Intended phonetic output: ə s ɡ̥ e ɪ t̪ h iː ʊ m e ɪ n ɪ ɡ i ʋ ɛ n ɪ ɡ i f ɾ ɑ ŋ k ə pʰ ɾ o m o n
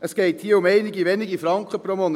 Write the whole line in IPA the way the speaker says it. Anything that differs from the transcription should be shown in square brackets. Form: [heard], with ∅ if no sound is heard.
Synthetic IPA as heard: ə s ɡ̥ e ɪ t̪ h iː ʊ m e ɪ n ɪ ɡ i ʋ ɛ n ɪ ɡ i f ɾ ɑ ŋ k ə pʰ ɾ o m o n